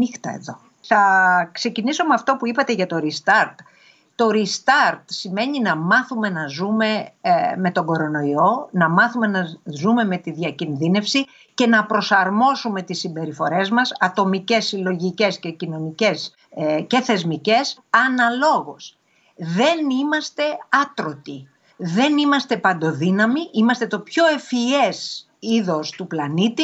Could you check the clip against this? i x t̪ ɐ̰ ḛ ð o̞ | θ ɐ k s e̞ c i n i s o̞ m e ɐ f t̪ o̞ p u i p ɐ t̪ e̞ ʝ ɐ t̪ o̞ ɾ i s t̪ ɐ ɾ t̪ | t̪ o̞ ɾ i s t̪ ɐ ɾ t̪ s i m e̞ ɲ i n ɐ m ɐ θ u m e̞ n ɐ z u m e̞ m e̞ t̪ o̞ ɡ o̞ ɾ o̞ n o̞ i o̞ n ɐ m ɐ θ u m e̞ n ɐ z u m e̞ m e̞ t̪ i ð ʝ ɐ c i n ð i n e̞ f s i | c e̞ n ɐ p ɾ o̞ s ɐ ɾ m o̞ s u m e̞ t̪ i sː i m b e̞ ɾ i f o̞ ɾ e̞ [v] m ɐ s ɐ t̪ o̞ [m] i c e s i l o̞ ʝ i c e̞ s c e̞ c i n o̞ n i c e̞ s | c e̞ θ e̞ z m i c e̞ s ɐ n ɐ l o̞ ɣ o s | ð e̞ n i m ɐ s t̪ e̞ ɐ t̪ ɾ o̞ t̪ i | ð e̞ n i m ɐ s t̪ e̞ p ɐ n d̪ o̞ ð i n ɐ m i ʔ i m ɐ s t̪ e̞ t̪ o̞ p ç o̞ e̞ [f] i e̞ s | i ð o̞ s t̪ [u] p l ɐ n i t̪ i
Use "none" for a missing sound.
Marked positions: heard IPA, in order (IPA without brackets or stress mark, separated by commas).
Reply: z, m, f, u